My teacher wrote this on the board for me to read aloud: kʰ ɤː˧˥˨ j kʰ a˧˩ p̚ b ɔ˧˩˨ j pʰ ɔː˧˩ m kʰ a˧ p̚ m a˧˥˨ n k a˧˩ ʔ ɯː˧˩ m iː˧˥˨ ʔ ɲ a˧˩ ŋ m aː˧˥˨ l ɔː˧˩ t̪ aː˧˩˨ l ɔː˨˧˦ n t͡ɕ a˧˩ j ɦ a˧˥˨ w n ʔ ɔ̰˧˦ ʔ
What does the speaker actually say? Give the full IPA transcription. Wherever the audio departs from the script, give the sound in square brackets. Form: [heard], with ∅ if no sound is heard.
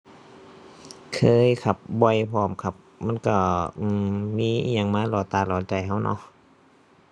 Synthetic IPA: kʰ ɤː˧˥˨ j kʰ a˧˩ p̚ b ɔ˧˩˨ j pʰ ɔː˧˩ m kʰ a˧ p̚ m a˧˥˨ n k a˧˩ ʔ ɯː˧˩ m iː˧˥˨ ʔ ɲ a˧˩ ŋ m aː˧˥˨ l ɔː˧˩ t̪ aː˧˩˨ l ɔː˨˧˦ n t͡ɕ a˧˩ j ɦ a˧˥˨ w n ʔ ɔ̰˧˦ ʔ

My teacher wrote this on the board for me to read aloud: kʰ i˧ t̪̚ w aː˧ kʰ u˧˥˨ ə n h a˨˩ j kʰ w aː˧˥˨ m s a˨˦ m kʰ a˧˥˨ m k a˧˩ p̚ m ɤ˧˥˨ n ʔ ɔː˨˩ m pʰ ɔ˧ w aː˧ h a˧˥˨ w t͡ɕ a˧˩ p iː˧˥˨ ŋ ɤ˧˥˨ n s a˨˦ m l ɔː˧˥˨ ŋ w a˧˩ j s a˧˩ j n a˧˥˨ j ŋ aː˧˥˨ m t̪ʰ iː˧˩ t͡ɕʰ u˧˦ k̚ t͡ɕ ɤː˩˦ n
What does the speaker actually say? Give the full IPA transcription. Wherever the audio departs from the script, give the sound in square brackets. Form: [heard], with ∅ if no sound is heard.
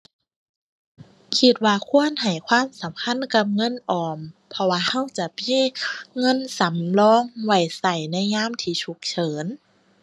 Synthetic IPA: kʰ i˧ t̪̚ w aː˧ kʰ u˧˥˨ ə n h a˨˩ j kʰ w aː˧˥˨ m s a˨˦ m kʰ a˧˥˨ [n] k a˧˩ p̚ [ŋ] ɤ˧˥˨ n ʔ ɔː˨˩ m pʰ ɔ˧ w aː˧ h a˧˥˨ w t͡ɕ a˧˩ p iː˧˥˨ ŋ ɤ˧˥˨ n s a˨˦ m l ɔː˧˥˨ ŋ w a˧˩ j s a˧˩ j n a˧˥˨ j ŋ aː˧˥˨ m t̪ʰ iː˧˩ t͡ɕʰ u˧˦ k̚ [t͡ɕʰ] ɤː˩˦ n

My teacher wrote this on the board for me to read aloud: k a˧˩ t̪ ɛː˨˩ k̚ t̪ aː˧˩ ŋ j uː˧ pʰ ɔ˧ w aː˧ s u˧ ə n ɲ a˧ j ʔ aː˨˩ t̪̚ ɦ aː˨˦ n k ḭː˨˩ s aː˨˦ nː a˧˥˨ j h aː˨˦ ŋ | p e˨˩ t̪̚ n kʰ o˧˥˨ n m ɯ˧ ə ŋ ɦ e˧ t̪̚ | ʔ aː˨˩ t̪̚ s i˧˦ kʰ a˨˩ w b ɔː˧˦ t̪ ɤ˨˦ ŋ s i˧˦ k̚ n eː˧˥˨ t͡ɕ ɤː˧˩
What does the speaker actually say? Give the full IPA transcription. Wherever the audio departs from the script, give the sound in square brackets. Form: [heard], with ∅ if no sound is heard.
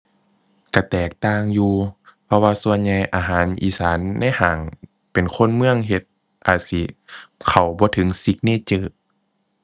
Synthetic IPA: k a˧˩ t̪ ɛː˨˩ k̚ t̪ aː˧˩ ŋ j uː˧ pʰ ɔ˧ w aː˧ s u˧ ə n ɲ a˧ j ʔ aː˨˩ [∅] ɦ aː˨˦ n [ʔ] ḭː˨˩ s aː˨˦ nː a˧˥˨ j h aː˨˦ ŋ | p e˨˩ [∅] n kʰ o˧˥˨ n m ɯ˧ ə ŋ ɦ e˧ t̪̚ | ʔ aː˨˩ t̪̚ s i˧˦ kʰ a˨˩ w b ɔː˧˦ [t̪ʰ] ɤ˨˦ ŋ s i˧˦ k̚ n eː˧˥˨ t͡ɕ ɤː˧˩

